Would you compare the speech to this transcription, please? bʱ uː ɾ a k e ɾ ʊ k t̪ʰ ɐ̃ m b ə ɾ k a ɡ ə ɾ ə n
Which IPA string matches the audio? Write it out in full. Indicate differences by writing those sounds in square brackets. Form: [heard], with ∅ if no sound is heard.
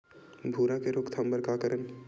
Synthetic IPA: bʱ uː ɾ a k e ɾ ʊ k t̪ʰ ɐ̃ m b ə ɾ k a [k] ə ɾ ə n

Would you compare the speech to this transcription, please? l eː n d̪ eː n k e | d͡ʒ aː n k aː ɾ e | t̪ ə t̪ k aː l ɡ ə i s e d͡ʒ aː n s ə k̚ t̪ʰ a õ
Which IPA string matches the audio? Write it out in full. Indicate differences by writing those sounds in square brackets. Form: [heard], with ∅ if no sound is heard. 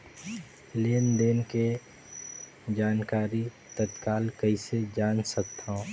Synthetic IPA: l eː n d̪ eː n k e | d͡ʒ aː n k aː ɾ [i] | t̪ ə t̪ k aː l [k] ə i s e d͡ʒ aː n s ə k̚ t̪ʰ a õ

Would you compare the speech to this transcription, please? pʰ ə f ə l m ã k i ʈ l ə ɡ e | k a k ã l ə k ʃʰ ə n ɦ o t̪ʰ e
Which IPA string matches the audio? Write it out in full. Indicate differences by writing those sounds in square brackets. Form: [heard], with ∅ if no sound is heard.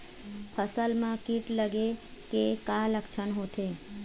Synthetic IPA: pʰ ə [s] ə l m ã k i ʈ l ə ɡ e | k [e] k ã l ə k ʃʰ ə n ɦ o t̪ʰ e

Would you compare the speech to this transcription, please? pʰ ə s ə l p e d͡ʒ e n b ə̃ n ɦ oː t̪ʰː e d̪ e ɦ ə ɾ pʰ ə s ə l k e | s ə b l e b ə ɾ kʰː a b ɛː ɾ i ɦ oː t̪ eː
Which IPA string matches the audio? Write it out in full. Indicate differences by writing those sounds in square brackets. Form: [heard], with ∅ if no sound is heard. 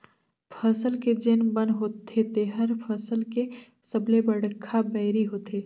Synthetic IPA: pʰ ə s ə l [k] e d͡ʒ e n b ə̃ n ɦ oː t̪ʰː e [t̪] e ɦ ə ɾ pʰ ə s ə l k e | s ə b l e b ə [ɽ] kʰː a b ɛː ɾ i ɦ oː t̪ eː

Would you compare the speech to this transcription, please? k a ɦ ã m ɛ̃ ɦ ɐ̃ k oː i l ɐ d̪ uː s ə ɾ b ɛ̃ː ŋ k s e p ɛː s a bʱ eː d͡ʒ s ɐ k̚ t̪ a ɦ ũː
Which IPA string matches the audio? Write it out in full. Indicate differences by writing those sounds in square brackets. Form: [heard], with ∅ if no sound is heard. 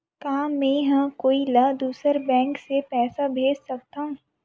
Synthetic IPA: k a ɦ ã m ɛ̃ ɦ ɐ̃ k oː i l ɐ d̪ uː s ə ɾ b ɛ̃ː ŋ k s e p ɛː s a bʱ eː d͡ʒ s ɐ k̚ t̪ a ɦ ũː

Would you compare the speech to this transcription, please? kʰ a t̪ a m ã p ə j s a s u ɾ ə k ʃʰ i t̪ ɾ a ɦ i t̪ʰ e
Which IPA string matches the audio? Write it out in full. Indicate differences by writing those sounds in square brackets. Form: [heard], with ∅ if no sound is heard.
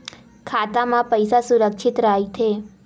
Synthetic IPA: kʰ a t̪ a m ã p ə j s a s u ɾ ə k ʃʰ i t̪ ɾ a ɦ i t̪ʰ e

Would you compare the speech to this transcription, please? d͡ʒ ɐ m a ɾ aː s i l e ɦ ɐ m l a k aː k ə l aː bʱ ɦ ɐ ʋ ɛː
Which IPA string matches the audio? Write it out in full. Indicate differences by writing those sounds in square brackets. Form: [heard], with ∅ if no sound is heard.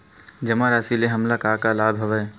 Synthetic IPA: d͡ʒ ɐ m a ɾ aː s i l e ɦ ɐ m l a k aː k [a] l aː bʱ ɦ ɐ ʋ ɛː

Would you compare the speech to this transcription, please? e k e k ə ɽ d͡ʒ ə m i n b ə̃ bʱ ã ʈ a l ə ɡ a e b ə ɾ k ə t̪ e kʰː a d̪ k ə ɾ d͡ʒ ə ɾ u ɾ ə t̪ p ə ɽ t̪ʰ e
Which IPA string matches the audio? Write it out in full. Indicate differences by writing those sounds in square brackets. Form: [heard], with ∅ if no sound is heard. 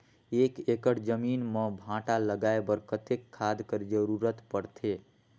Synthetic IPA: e k e k ə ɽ d͡ʒ ə m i n [m] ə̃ bʱ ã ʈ a l ə ɡ a e b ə ɾ k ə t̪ e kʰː a d̪ k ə ɾ d͡ʒ ə ɾ u ɾ ə t̪ p ə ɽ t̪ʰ e

